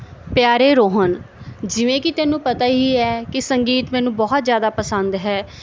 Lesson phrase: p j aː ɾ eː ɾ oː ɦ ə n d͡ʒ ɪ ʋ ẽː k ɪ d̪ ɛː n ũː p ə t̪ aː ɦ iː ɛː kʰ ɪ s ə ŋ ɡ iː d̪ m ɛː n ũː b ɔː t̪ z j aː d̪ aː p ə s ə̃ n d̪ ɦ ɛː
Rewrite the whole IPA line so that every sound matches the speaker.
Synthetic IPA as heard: p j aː ɾ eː ɾ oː ɦ ə n d͡ʒ ɪ ʋ ẽː k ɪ t̪ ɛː n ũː p ə t̪ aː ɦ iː ɛː k ɪ s ə ŋ ɡ iː t̪ m ɛː n ũː b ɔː t̪ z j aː d̪ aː p ə s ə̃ n d̪ ɦ ɛː

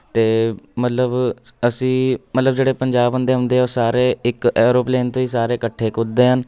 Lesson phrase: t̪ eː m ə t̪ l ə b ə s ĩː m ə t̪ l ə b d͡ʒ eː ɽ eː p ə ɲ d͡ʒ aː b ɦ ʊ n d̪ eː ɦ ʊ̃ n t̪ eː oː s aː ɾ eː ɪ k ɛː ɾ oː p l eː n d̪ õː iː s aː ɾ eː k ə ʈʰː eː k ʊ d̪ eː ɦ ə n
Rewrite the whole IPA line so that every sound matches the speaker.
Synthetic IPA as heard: t̪ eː m ə t̪ l ə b ə s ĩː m ə t̪ l ə b d͡ʒ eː ɽ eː p ə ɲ d͡ʒ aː b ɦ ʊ n d̪ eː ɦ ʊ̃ n d̪ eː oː s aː ɾ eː ɪ k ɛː ɾ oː p l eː n t̪ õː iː s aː ɾ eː k ə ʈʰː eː k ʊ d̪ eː ɦ ə n

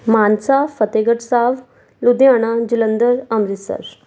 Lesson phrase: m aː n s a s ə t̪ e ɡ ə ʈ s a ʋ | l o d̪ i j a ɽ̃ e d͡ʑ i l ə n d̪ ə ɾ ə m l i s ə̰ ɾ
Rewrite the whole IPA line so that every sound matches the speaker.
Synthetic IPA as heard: m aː n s a f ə t̪ e ɡ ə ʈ s a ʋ | l u d̪ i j a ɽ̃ a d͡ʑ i l ə n d̪ ə ɾ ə m ɾ i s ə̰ ɾ

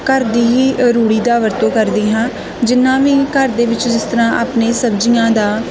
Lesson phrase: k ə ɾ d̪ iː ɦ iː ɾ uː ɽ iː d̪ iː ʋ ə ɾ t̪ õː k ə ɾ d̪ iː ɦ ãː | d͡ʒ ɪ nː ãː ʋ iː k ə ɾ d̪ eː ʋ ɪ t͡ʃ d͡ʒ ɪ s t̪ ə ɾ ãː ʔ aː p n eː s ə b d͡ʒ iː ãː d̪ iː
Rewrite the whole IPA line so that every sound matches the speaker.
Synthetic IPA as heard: k ə ɾ d̪ iː ɦ iː ɾ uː ɽ iː d̪ aː ʋ ə ɾ t̪ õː k ə ɾ d̪ iː ɦ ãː | d͡ʒ ɪ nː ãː ʋ iː k ə ɾ d̪ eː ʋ ɪ t͡ʃ d͡ʒ ɪ s t̪ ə ɾ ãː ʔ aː p n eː s ə b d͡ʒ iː ãː d̪ aː

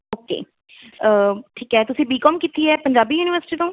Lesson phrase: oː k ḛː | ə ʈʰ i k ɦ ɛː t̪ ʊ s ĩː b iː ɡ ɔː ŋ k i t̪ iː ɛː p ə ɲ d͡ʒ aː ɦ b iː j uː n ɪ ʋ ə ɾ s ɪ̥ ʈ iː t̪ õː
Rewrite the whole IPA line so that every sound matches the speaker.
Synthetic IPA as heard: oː k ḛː | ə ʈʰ iː k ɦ ɛː t̪ ʊ s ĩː b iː k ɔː m k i t̪ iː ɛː p ə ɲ d͡ʒ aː b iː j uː n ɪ ʋ ə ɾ s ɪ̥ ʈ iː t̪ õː

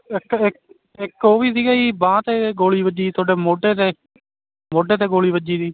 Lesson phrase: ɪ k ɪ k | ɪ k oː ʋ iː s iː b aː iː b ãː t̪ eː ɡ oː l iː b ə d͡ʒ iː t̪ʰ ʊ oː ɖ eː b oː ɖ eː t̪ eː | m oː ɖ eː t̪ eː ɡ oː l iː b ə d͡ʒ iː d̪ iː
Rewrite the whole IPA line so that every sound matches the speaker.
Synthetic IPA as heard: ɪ k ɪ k | ɪ k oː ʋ iː s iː ɡ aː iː b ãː t̪ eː ɡ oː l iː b ə d͡ʒ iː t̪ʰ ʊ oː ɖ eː m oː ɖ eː t̪ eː | m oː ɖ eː t̪ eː ɡ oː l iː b ə d͡ʒ iː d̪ iː

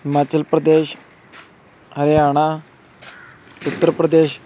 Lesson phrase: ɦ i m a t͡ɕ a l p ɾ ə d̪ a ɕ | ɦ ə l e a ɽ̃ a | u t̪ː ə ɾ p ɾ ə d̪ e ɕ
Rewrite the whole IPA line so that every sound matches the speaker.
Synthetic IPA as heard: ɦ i m a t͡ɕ ə l p ɾ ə d̪ e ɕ | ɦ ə ɾ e a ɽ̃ a | u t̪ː ə ɾ p ɾ ə d̪ e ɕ

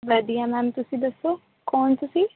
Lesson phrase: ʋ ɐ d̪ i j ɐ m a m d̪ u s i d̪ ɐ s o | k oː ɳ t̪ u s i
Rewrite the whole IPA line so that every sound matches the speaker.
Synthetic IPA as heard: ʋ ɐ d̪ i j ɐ m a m t̪ u s i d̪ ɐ s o | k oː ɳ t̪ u s i

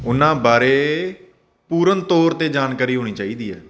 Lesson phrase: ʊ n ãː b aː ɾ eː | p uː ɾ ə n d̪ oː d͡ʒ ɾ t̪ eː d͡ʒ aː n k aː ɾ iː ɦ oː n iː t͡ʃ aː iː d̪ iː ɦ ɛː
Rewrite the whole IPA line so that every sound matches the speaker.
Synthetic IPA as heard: ʊ n ãː b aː ɾ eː | p uː ɾ ə n t̪ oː ɾ t̪ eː d͡ʒ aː n k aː ɾ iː ɦ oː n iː t͡ʃ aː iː d̪ iː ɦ ɛː

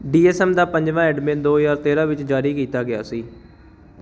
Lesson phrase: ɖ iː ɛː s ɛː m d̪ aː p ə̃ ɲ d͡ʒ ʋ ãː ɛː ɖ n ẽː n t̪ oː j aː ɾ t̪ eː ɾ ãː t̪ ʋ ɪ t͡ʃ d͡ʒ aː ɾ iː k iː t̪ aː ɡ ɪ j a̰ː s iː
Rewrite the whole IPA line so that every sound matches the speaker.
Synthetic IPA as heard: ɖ iː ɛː s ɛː m d̪ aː p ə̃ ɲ d͡ʒ ʋ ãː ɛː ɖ m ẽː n d̪ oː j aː ɾ t̪ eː ɾ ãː ʋ ɪ t͡ʃ d͡ʒ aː ɾ iː k iː t̪ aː ɡ ɪ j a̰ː s iː

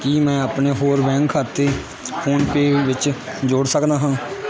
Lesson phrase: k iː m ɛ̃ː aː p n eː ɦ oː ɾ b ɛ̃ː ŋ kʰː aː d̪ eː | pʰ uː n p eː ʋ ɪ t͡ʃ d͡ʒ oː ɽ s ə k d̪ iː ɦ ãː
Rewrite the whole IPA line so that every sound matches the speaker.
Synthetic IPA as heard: k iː m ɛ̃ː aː p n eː ɦ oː ɾ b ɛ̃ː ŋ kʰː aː t̪ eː | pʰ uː n p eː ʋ ɪ t͡ʃ d͡ʒ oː ɽ s ə k d̪ aː ɦ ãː

